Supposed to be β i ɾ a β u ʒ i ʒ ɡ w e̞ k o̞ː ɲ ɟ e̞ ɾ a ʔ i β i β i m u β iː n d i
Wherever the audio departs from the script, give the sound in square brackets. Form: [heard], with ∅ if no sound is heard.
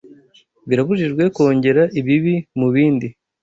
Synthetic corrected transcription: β i ɾ a β u ʒ i ʒ ɡ w e̞ k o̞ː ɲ ɟ e̞ ɾ a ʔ i β i β i m u β iː n d i